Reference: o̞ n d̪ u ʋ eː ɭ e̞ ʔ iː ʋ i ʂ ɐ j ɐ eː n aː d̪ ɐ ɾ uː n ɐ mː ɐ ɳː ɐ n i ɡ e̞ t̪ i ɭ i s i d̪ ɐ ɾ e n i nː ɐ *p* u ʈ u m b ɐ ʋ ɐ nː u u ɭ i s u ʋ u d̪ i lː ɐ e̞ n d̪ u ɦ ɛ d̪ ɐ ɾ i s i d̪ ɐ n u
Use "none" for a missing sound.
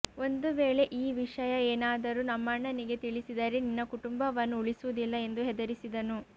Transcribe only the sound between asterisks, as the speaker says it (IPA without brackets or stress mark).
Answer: k